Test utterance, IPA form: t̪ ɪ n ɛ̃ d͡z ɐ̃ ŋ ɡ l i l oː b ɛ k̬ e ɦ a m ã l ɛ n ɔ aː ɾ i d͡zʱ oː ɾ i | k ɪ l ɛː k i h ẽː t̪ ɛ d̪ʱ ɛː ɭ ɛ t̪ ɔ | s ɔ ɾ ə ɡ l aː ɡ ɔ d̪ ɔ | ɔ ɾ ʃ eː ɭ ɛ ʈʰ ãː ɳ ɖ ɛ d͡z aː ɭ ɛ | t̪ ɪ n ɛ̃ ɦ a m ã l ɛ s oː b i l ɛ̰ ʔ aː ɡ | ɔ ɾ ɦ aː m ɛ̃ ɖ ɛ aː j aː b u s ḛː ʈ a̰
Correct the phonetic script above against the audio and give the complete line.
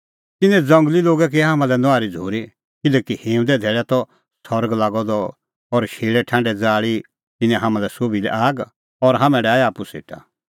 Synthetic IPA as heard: t̪ ɪ n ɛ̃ d͡z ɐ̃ ŋ ɡ l i l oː ɡ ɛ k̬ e ɦ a m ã l ɛ n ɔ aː ɾ i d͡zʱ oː ɾ i | k ɪ l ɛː k i h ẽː d̪ ɛ d̪ʱ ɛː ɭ ɛ t̪ ɔ | s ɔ ɾ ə ɡ l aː ɡ ɔ d̪ ɔ | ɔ ɾ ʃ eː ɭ ɛ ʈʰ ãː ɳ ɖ ɛ d͡z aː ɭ i | t̪ ɪ n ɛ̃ ɦ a m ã l ɛ s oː b i l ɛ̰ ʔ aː ɡ | ɔ ɾ ɦ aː m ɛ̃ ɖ ɛ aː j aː p u s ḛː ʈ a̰